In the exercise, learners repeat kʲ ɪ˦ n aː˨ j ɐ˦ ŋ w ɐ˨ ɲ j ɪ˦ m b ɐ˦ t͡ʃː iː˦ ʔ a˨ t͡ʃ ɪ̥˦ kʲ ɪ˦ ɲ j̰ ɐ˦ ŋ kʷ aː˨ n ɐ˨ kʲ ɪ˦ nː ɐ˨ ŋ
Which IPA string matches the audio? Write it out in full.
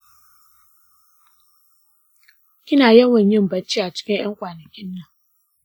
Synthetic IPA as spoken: kʲ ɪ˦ n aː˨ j ɐ˦ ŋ w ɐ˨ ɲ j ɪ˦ m b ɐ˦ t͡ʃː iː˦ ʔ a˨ t͡ʃ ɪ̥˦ kʲ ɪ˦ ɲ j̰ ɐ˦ ŋ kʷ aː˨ n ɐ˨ kʲ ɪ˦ nː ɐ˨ ŋ